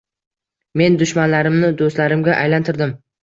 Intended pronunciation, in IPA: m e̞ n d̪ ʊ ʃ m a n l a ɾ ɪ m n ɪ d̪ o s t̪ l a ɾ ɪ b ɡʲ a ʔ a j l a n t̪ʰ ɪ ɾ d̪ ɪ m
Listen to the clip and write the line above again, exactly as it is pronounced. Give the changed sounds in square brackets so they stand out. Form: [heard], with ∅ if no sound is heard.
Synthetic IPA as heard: m e̞ n d̪ ʊ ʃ m a n l a ɾ ɪ m n ɪ d̪ o s t̪ l a ɾ ɪ [m] ɡʲ a ʔ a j l a n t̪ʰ ɪ ɾ d̪ ɪ m